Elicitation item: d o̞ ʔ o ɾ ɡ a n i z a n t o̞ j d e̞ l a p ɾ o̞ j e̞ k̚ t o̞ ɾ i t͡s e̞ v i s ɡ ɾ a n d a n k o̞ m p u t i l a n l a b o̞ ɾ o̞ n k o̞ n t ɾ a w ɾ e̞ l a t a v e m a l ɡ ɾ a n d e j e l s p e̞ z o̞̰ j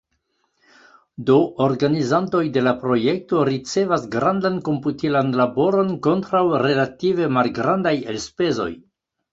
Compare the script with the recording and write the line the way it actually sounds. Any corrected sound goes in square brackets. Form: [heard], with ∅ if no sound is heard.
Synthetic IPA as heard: d o̞ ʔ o ɾ ɡ a n i z a n t o̞ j d e̞ l a p ɾ o̞ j e̞ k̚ t o̞ ɾ i t͡s e̞ v [a] s ɡ ɾ a n d a n k o̞ m p u t i l a n l a b o̞ ɾ o̞ n k o̞ n t ɾ a w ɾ e̞ l a t [i] v e m a l ɡ ɾ a n d [a] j e l s p e̞ z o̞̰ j